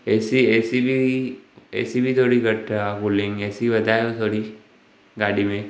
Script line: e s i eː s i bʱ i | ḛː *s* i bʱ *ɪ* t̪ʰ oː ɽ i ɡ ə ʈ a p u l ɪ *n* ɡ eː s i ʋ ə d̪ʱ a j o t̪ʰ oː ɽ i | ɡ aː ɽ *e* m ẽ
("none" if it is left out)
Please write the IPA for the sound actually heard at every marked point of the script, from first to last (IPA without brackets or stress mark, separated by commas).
s, i, ŋ, i